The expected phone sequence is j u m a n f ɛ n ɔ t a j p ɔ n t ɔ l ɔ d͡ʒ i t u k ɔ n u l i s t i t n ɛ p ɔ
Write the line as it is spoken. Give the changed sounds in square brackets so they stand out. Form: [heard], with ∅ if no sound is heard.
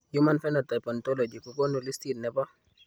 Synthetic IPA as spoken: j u m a n f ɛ n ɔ t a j p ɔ n t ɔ l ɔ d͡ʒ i [k] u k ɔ n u l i s t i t n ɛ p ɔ